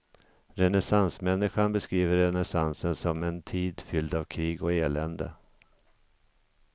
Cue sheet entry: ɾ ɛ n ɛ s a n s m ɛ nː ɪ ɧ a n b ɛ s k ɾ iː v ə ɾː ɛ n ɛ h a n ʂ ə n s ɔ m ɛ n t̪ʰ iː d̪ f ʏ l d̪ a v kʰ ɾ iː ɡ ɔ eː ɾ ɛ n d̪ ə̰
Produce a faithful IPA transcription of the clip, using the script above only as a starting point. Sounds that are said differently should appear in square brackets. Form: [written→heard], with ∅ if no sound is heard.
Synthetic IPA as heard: ɾ ɛ n ɛ s a n s m ɛ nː ɪ ɧ a n b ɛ s k ɾ iː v ə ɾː ɛ n ɛ [h→s] a n [ʂ→s] ə n s ɔ m ɛ n t̪ʰ iː d̪ f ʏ l d̪ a v kʰ ɾ iː ɡ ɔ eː [ɾ→l] ɛ n d̪ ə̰